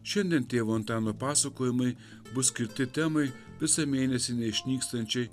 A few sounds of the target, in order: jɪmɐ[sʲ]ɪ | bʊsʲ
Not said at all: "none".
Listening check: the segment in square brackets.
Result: none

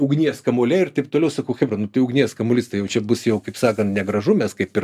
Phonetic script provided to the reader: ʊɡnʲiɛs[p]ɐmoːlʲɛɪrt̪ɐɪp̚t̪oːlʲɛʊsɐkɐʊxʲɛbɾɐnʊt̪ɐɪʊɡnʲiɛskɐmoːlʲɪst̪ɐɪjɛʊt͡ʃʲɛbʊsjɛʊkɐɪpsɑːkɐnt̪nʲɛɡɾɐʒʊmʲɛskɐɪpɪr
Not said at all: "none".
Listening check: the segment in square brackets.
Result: k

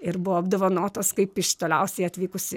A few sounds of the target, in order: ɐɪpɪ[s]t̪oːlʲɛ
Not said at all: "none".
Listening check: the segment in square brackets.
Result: ʃ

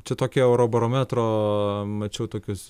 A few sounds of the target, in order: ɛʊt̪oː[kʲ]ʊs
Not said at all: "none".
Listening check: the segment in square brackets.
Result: kʲ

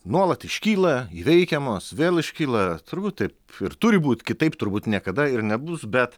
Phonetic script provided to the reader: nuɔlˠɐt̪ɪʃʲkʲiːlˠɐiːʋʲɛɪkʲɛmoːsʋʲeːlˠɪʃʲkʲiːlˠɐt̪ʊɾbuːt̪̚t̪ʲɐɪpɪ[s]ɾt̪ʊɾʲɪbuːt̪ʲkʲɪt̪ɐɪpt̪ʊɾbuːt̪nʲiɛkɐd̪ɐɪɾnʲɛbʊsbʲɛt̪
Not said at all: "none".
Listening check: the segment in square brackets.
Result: none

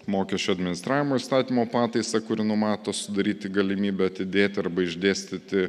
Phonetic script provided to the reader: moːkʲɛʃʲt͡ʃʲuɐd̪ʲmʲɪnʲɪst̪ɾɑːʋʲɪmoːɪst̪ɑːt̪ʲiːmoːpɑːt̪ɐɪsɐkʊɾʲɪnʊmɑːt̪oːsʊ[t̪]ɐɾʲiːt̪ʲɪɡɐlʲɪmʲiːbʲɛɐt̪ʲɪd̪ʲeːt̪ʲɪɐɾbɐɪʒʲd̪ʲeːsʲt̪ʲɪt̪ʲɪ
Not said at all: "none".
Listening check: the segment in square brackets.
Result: d̪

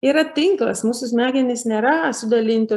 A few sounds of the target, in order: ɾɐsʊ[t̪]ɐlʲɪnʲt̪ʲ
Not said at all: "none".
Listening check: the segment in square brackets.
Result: d̪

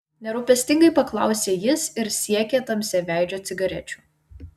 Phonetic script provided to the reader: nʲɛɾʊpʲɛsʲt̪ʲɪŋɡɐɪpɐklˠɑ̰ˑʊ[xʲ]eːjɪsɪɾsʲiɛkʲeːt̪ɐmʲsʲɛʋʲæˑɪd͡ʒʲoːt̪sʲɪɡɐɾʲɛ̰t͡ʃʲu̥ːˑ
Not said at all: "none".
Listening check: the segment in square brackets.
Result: sʲ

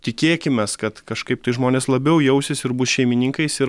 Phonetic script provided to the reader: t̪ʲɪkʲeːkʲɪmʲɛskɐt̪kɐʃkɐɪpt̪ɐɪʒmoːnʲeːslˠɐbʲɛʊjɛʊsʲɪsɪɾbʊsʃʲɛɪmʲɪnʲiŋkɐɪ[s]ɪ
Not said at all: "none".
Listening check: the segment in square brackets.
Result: s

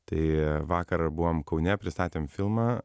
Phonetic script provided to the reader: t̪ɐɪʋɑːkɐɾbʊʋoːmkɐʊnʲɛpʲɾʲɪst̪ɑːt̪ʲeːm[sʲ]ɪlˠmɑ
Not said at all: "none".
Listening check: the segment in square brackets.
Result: fʲ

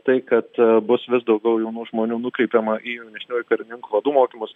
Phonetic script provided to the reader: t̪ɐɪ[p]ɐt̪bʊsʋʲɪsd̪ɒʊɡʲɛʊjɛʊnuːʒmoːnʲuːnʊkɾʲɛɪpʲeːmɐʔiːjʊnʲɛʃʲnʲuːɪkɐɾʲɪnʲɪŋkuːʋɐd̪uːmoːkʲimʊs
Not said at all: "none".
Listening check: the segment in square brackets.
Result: k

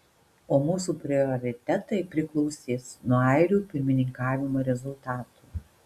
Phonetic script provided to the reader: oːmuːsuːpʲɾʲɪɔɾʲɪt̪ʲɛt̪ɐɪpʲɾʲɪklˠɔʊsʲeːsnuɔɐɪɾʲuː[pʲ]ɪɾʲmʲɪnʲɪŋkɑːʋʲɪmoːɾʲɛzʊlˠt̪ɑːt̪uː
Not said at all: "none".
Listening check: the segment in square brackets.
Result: pʲ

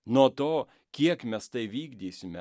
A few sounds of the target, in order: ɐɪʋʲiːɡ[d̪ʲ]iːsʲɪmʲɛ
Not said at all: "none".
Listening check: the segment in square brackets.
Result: d̪ʲ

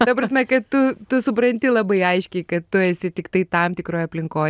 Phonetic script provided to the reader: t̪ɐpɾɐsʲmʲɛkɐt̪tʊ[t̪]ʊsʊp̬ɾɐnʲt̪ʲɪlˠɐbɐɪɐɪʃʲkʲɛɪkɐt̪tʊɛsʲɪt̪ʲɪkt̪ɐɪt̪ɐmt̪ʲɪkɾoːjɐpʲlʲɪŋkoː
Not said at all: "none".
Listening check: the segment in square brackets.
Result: t̪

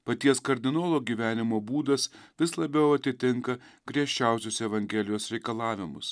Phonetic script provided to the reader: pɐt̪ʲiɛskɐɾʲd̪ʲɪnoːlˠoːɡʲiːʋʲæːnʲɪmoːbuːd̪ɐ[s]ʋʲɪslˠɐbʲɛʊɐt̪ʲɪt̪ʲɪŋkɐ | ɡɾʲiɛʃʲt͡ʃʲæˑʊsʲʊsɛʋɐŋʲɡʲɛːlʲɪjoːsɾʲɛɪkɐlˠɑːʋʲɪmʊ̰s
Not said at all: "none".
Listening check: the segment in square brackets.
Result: s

